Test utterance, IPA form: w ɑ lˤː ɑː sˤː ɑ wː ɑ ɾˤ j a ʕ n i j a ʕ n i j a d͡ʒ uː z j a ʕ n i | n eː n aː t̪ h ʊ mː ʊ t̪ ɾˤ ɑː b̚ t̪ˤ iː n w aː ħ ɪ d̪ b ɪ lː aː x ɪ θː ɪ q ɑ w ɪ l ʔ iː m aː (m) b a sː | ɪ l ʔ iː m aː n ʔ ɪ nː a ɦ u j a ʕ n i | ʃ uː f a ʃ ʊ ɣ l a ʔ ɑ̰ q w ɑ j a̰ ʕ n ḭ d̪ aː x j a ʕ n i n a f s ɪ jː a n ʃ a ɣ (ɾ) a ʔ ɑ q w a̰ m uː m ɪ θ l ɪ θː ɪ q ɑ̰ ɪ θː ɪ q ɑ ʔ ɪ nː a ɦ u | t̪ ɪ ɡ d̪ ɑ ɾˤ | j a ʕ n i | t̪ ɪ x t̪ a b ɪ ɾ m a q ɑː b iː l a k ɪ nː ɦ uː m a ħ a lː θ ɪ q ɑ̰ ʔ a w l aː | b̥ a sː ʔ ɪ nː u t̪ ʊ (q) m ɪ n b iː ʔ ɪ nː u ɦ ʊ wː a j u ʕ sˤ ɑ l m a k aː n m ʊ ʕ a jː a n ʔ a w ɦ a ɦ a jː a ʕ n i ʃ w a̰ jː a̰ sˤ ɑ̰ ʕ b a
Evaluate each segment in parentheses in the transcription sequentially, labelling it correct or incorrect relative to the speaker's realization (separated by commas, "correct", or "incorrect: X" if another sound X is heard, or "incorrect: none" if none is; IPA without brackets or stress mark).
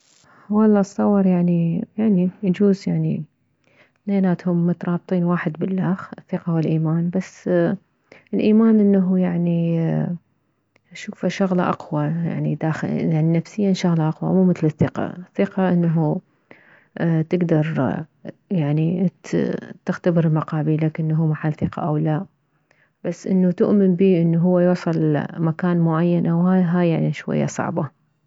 incorrect: n, incorrect: l, incorrect: ʔ